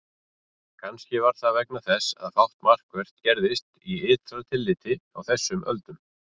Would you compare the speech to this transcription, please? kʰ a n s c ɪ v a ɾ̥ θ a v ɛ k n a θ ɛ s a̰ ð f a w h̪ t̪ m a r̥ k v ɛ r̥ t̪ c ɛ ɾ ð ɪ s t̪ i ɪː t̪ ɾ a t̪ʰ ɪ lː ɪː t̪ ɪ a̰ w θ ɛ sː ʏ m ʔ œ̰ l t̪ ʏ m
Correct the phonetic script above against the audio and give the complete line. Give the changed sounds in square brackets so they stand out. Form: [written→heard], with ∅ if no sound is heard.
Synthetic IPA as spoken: kʰ a n s c ɪ v a ɾ̥ θ a v ɛ k n a θ ɛ s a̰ ð f a w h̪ t̪ m a r̥ k v ɛ r̥ t̪ c ɛ ɾ ð ɪ s t̪ i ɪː t̪ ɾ a t̪ʰ ɪ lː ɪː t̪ ɪ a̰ w θ ɛ sː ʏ m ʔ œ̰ l t̪ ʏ m